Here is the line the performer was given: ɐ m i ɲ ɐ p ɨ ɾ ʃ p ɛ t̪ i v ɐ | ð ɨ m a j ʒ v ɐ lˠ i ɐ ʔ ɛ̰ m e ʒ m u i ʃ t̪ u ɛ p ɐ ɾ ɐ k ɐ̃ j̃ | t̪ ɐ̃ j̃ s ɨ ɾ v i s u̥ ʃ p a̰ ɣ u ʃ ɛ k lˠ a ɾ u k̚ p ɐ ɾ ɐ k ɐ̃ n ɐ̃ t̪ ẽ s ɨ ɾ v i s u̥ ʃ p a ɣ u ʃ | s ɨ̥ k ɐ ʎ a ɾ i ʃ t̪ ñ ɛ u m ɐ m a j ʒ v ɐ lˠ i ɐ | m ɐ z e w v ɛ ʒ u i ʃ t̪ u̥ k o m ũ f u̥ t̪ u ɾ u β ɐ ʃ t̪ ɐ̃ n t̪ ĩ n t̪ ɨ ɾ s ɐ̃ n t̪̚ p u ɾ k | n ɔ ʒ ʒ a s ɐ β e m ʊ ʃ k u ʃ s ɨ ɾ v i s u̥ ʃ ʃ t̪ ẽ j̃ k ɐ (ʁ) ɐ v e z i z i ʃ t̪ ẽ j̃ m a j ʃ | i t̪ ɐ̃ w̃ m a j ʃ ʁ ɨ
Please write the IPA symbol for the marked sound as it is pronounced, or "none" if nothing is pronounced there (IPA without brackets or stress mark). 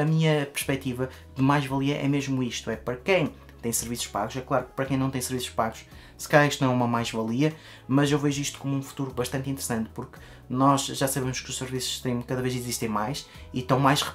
ð